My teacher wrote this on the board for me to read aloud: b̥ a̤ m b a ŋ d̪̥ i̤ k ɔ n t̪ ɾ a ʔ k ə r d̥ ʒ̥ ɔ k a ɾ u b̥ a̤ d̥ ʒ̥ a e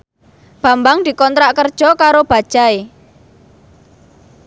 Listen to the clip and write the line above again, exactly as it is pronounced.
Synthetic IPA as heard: b̥ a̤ m b a ŋ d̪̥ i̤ k ɔ n t̪ ɾ a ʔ k ə r d̥ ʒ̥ ɔ k a ɾ o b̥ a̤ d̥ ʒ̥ a e